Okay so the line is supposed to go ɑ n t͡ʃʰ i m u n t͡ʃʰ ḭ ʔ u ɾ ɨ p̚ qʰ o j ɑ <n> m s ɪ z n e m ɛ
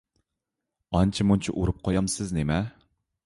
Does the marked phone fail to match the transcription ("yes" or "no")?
yes